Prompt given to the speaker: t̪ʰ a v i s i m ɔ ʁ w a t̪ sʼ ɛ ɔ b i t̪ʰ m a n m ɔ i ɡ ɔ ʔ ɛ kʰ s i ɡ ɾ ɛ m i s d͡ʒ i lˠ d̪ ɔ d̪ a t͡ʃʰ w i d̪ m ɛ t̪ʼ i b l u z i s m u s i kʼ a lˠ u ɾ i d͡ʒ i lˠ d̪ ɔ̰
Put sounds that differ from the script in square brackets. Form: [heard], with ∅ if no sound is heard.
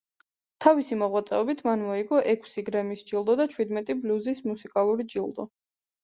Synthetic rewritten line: t̪ʰ a v i s i m ɔ ʁ w a t̪ sʼ ɛ ɔ b i t̪ʰ m a n m ɔ i ɡ ɔ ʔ ɛ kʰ s i ɡ ɾ ɛ m i s d͡ʒ i lˠ d̪ ɔ d̪ a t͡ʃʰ w i d̪ m ɛ t̪ʼ i b l u z i s m u s i kʼ a lˠ u ɾ i d͡ʒ i lˠ d̪ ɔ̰